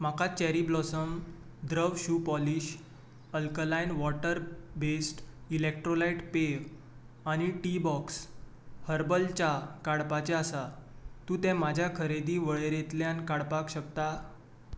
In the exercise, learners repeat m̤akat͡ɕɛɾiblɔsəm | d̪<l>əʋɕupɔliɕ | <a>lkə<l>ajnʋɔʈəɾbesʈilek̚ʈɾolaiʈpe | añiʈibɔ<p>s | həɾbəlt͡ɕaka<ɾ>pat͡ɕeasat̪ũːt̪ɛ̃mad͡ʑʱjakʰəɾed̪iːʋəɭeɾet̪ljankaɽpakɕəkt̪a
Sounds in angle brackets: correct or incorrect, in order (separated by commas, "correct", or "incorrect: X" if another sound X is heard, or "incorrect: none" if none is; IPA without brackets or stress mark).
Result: incorrect: ɾ, incorrect: ə, correct, incorrect: k, incorrect: ɽ